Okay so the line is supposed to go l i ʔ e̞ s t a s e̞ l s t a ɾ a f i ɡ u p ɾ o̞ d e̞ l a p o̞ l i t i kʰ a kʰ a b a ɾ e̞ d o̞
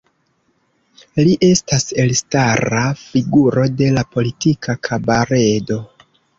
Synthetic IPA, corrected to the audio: l i ʔ e̞ s t a s e̞ l s t a ɾ a f i ɡ u ɾ o̞ d e̞ l a p o̞ l i t i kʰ a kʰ a b a ɾ e̞ d o̞